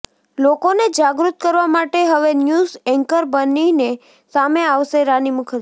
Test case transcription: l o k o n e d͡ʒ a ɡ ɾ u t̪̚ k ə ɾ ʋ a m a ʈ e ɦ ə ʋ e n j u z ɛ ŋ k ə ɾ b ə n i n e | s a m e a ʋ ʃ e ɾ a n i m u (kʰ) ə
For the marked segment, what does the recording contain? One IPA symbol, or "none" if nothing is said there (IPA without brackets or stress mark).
kʰ